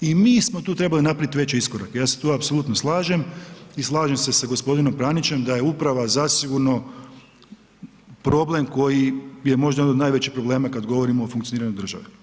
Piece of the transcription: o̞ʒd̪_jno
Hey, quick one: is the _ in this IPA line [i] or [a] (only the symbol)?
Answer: a